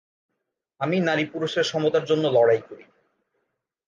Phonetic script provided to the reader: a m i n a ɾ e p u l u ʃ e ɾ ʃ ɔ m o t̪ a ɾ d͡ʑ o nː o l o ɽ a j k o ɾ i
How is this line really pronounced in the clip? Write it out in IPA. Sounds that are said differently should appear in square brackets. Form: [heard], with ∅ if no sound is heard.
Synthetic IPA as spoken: a m i n a ɾ [i] p u [ɾ] u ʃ e ɾ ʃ ɔ m o t̪ a ɾ d͡ʑ o nː o l [ɔ] ɽ a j k o ɾ i